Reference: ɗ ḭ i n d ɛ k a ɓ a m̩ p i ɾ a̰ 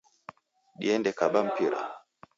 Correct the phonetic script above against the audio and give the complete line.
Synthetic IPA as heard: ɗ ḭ ɛ n d ɛ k a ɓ a m̩ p i ɾ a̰